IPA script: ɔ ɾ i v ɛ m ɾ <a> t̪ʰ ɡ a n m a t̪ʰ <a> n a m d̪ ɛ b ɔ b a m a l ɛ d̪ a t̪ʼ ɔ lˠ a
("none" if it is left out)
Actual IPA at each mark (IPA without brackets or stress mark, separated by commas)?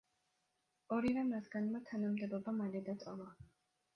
a, a